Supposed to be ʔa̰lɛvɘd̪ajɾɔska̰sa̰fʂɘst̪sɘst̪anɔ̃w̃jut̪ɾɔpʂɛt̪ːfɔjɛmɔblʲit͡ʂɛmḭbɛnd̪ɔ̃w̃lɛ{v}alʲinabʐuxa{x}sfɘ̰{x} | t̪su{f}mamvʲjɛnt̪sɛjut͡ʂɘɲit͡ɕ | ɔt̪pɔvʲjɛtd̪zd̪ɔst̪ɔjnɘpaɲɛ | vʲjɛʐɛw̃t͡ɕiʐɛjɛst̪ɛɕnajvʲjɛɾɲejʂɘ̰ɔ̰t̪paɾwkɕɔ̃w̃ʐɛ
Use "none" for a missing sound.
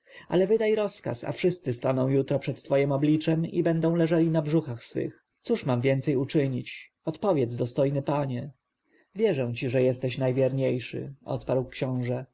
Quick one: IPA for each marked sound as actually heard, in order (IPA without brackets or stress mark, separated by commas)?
ʐ, x, x, ʂ